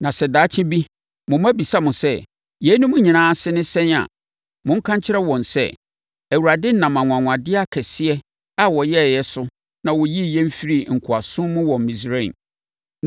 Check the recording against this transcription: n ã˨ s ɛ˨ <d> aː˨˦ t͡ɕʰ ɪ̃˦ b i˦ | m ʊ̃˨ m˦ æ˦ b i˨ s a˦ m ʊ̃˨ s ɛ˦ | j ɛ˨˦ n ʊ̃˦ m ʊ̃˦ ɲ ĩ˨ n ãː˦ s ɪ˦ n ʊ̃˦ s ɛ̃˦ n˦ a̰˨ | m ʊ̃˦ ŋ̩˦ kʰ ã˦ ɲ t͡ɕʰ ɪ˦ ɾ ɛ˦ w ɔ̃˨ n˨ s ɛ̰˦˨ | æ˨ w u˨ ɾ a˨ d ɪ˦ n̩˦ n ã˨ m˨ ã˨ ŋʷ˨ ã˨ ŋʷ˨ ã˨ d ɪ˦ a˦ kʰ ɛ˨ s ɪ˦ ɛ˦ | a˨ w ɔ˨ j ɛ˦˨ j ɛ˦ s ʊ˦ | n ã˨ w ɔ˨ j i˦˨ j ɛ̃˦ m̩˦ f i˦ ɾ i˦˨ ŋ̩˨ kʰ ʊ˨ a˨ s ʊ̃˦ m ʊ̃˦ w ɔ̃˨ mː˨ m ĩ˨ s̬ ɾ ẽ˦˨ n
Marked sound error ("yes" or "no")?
no